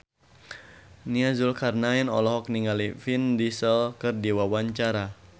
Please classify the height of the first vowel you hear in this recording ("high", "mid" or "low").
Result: high